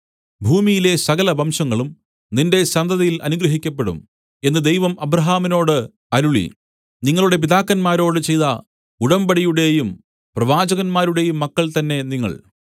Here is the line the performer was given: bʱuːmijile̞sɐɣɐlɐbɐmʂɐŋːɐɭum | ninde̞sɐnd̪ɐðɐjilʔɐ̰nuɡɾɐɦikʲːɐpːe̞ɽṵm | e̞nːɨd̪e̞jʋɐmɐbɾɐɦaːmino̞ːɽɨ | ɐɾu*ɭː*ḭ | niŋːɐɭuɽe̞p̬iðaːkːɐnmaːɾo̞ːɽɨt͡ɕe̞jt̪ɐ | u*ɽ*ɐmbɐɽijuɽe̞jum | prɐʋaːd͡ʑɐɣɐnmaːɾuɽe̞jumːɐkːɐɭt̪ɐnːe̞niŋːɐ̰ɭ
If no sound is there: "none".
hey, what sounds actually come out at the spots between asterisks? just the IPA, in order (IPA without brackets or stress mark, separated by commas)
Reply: ɭ, ɽ